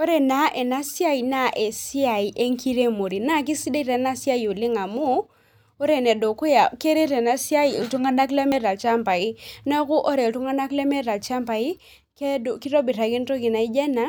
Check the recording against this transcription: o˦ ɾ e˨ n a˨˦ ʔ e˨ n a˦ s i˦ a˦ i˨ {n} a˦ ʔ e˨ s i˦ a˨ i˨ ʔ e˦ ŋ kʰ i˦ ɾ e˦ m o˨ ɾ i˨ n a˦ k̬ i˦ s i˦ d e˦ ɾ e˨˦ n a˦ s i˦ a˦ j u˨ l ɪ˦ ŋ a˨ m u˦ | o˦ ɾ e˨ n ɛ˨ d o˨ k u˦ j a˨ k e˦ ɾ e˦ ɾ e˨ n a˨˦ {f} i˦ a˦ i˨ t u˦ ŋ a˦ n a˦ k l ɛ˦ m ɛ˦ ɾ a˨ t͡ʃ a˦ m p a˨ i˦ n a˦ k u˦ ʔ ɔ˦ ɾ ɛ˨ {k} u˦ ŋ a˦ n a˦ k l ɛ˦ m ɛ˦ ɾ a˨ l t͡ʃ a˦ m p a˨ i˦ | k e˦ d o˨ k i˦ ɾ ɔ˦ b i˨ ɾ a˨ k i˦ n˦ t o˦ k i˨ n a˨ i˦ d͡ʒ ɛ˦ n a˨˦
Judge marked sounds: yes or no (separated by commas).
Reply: yes, no, no